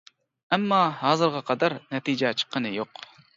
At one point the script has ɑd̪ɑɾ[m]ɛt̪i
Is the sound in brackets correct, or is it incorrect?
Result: incorrect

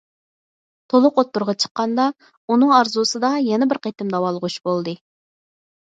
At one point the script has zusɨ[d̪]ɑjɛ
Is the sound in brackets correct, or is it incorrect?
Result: correct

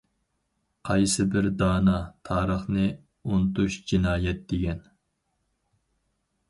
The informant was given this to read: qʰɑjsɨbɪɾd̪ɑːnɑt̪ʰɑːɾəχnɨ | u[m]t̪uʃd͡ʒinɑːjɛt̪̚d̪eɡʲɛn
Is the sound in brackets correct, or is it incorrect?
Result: incorrect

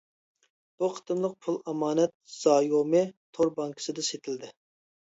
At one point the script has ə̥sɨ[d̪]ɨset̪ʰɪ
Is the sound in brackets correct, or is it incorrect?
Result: correct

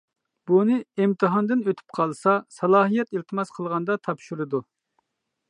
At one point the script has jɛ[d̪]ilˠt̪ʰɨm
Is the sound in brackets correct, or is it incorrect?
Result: incorrect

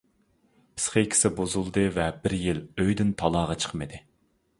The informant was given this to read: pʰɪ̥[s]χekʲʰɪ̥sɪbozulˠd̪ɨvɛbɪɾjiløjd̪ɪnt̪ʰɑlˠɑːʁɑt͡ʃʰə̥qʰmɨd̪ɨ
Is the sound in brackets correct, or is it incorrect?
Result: correct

